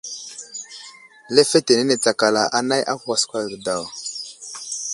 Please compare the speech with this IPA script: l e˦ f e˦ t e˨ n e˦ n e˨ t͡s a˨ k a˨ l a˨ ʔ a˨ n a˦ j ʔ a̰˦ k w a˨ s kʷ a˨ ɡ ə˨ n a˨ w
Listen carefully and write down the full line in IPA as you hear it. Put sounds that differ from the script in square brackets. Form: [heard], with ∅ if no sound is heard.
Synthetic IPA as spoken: l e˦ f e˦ t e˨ n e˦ n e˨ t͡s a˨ k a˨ l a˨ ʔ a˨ n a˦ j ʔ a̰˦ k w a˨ s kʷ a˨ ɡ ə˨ [d] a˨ w